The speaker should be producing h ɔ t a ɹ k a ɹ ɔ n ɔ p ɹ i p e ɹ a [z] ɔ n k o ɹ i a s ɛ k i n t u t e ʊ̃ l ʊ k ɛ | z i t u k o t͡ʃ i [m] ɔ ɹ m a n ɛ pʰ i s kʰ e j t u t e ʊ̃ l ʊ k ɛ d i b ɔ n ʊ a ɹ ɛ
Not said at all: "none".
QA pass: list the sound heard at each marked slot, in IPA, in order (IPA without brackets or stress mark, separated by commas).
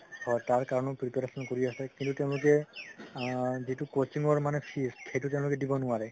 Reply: s, ŋ